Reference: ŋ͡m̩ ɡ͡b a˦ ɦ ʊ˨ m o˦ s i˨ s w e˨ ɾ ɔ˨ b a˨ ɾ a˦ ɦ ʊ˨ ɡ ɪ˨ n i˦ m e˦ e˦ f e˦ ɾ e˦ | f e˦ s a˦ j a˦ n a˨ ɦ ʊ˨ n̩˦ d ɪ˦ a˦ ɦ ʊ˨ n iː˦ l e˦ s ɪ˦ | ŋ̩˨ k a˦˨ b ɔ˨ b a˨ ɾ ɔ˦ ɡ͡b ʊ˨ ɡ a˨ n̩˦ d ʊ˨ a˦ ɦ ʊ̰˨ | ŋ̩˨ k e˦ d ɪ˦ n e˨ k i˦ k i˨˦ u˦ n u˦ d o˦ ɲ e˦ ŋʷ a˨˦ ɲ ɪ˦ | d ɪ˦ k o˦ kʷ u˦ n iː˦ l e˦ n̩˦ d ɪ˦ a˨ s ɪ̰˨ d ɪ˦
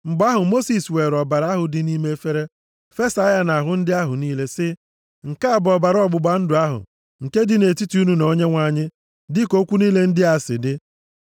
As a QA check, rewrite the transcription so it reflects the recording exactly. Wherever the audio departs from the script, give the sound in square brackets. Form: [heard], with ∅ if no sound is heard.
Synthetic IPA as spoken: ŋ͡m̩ ɡ͡b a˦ ɦ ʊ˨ m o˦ s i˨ s w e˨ ɾ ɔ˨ b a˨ ɾ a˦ ɦ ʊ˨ [d] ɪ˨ n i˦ m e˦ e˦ f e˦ ɾ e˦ | f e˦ s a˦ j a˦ n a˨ ɦ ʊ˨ n̩˦ d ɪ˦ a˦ ɦ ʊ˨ n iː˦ l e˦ s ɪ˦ | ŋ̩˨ k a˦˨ b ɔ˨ b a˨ ɾ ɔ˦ ɡ͡b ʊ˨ [ɡ͡b] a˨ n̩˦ d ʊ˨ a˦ ɦ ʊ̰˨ | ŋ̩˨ k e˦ d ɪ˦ n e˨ [t] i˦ [t] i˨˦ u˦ n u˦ [n] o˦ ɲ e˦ ŋʷ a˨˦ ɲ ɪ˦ | d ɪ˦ k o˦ kʷ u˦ n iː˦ l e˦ n̩˦ d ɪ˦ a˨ s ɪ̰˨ d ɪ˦